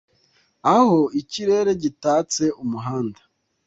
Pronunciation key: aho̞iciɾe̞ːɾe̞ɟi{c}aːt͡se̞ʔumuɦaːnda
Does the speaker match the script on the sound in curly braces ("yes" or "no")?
no